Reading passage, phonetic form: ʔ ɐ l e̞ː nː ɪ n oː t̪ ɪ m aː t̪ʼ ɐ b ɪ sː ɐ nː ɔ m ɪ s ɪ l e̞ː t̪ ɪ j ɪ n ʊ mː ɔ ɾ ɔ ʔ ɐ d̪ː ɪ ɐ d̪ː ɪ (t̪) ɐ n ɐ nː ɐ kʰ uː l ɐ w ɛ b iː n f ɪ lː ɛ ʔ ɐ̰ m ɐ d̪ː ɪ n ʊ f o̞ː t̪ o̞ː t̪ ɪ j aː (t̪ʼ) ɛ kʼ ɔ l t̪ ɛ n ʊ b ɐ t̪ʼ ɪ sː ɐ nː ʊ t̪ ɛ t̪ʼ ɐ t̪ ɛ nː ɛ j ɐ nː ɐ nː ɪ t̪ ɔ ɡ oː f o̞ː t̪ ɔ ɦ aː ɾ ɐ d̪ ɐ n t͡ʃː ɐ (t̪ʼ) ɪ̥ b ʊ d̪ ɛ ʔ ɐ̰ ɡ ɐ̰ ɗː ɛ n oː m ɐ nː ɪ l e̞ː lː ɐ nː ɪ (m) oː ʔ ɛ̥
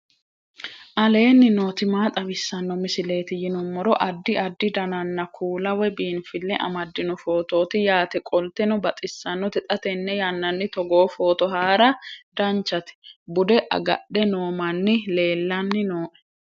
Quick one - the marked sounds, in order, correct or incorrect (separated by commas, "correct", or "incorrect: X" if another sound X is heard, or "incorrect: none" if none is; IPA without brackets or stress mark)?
incorrect: d̪, incorrect: t̪, incorrect: t̪, incorrect: n